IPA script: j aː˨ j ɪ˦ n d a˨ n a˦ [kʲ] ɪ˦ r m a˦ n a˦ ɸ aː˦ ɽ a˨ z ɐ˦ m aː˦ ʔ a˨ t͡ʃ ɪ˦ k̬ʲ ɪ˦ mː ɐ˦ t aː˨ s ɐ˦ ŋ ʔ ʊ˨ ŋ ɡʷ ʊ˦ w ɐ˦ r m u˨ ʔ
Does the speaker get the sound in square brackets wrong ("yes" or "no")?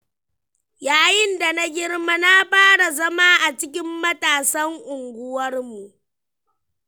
yes